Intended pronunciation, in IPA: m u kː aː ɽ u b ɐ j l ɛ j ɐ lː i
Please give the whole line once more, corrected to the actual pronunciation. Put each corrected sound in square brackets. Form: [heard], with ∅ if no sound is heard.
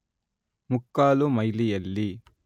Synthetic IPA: m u kː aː [l] u [m] ɐ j l [i] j ɐ lː i

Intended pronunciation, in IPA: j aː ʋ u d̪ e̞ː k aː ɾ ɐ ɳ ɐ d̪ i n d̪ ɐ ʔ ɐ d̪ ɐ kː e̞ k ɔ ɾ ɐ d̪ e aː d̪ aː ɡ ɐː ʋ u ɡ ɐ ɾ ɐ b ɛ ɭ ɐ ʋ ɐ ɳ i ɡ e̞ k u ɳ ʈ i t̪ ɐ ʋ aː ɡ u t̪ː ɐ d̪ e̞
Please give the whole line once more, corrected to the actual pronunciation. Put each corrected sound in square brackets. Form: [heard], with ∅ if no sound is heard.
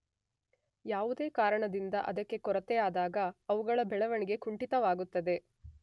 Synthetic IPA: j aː ʋ u d̪ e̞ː k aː ɾ ɐ ɳ ɐ d̪ i n d̪ ɐ ʔ ɐ d̪ ɐ kː e̞ k ɔ ɾ ɐ [t̪] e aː d̪ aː ɡ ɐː ʋ u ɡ ɐ [ɭ] ɐ b ɛ ɭ ɐ ʋ ɐ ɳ i ɡ e̞ k u ɳ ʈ i t̪ ɐ ʋ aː ɡ u t̪ː ɐ d̪ e̞

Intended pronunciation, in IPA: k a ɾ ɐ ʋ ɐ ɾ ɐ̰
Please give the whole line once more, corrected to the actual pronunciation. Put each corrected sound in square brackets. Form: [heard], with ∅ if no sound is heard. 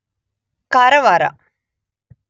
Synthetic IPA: k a ɾ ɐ ʋ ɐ ɾ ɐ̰

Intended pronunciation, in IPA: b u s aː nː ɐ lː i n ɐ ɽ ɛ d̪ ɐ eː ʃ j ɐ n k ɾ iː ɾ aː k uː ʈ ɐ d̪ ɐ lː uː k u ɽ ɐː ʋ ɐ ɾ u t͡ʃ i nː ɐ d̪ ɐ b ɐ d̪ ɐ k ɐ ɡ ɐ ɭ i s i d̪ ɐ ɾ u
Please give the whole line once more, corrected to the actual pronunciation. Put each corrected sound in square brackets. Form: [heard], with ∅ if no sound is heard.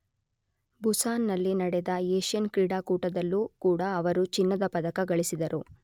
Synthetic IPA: b u s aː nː ɐ lː i n ɐ ɽ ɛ d̪ ɐ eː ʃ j ɐ n k ɾ iː [ɽ] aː k uː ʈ ɐ d̪ ɐ lː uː k [uː] ɽ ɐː ʋ ɐ ɾ u t͡ʃ i nː ɐ d̪ ɐ [p] ɐ d̪ ɐ k ɐ ɡ ɐ ɭ i s i d̪ ɐ ɾ u

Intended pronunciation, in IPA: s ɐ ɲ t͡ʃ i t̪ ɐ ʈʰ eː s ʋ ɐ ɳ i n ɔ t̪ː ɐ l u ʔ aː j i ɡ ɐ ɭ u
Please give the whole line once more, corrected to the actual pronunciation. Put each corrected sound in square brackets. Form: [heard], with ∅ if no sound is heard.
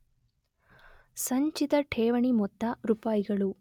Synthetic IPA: s ɐ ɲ t͡ʃ i t̪ ɐ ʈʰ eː [∅] ʋ ɐ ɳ i [m] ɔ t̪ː ɐ [ɾ] u [p] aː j i ɡ ɐ ɭ u

